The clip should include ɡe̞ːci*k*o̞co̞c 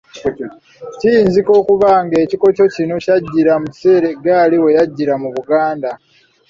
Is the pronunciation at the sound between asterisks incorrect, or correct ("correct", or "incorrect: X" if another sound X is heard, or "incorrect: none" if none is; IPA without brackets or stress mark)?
correct